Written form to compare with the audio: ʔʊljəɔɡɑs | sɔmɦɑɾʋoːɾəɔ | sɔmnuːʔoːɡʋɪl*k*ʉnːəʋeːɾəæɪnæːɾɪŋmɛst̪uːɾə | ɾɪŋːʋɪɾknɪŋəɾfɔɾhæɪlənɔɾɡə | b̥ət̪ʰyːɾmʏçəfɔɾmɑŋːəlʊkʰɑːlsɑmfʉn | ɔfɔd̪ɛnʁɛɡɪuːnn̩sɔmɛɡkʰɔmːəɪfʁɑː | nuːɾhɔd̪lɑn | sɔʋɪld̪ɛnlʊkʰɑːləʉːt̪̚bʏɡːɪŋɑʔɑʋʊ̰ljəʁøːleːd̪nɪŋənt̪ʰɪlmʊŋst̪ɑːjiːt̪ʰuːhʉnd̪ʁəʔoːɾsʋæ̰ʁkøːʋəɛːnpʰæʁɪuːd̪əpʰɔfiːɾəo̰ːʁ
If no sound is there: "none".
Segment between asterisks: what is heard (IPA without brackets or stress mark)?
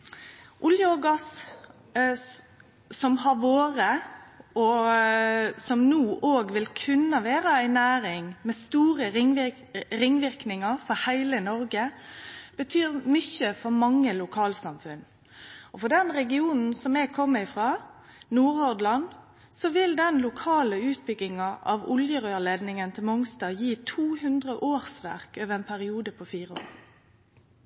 kʰ